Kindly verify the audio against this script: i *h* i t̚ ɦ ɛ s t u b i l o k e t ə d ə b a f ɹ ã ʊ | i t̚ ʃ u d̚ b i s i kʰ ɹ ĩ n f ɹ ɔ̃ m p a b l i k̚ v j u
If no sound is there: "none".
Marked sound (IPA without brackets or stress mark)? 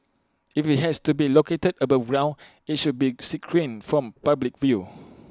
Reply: f